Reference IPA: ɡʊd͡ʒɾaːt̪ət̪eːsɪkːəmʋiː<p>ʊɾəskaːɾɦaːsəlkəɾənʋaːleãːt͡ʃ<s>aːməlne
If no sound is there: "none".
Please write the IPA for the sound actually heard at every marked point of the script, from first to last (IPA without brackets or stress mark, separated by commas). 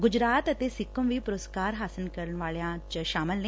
p, ʃ